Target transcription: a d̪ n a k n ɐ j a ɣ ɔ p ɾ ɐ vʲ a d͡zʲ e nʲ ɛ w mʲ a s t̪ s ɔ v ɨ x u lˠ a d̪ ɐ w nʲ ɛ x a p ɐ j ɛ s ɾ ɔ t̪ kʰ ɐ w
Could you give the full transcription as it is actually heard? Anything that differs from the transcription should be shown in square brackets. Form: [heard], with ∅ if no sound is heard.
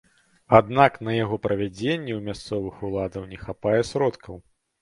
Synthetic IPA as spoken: a d̪ n a k n ɐ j a ɣ ɔ p ɾ ɐ vʲ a d͡zʲ e [nʲː] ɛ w mʲ a s t̪ s ɔ v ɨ x u lˠ a d̪ ɐ w nʲ ɛ x a p [a] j ɛ s ɾ ɔ t̪ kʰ ɐ w

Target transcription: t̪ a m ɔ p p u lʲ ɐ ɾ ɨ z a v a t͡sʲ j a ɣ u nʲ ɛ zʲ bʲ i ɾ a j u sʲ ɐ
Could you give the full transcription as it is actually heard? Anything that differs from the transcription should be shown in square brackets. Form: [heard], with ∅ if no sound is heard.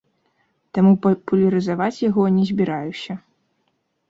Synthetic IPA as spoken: t̪ a m [u] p p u lʲ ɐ ɾ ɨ z a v a t͡sʲ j a ɣ [ɔ] nʲ ɛ zʲ bʲ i ɾ a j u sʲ ɐ

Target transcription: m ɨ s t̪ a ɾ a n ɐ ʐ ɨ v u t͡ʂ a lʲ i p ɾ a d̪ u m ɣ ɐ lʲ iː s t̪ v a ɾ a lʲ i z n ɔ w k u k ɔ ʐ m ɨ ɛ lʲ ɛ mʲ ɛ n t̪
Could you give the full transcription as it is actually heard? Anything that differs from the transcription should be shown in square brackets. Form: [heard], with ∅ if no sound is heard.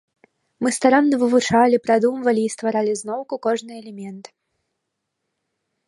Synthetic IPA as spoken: m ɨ s t̪ a ɾ a [nː] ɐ [v] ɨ v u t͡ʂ a lʲ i p ɾ a d̪ u m [v] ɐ lʲ iː s t̪ v a ɾ a lʲ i z n ɔ w k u k ɔ ʐ [n] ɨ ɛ lʲ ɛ mʲ ɛ n t̪

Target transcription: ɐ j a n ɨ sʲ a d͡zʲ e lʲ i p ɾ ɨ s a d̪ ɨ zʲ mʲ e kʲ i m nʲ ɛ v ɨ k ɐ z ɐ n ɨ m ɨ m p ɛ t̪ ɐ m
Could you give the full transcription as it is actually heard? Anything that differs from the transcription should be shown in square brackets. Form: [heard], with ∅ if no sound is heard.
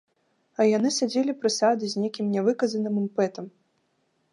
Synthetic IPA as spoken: ɐ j a n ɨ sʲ a d͡zʲ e lʲ i p ɾ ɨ s a d̪ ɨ zʲ [nʲ] e kʲ i m nʲ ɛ v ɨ k ɐ z ɐ n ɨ m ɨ m p ɛ t̪ ɐ m

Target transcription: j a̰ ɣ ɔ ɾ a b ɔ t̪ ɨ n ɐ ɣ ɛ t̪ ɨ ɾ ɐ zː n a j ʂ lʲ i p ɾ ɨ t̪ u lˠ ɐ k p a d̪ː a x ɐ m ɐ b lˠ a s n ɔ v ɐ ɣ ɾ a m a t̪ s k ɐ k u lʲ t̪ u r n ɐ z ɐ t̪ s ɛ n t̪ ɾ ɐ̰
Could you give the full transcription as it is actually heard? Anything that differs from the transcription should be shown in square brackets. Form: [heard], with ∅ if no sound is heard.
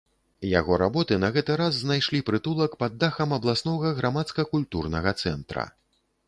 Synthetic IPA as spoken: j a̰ ɣ ɔ ɾ a b ɔ t̪ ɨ n ɐ ɣ ɛ t̪ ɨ ɾ [a] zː n a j ʂ lʲ i p ɾ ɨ t̪ u lˠ ɐ k p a d̪ː a x ɐ m ɐ b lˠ a s n ɔ [ɣ] ɐ ɣ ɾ a m a t̪ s k ɐ k u lʲ t̪ u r n ɐ [ɣ] ɐ t̪ s ɛ n t̪ ɾ ɐ̰

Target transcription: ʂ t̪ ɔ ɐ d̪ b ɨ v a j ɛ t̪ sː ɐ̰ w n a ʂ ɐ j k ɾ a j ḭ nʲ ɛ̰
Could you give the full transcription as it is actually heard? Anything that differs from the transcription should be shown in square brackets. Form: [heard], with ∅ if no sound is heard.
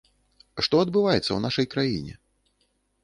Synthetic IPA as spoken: ʂ t̪ ɔ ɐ d̪ b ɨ v a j ɛ t̪ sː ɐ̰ w n a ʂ ɐ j k ɾ a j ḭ nʲ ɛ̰

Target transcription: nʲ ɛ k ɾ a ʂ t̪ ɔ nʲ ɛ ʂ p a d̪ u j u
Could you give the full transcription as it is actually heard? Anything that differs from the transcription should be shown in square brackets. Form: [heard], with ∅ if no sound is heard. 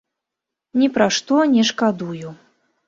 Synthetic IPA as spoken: nʲ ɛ [p] ɾ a ʂ t̪ ɔ nʲ ɛ ʂ [k] a d̪ u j u

